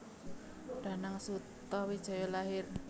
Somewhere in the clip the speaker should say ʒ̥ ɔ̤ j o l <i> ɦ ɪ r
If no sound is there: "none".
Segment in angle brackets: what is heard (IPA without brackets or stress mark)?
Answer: a